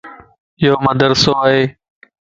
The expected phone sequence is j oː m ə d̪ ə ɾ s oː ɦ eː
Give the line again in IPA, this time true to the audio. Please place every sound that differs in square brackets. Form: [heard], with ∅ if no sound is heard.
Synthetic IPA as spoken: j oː m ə d̪ ə ɾ s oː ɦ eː